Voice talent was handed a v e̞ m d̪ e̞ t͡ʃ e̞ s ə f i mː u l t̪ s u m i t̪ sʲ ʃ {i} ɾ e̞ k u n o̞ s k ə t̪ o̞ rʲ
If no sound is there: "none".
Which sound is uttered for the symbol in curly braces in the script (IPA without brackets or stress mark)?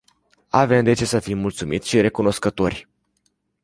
i